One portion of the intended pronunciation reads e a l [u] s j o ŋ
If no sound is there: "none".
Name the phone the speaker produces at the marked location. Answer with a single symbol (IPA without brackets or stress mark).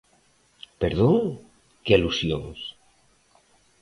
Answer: u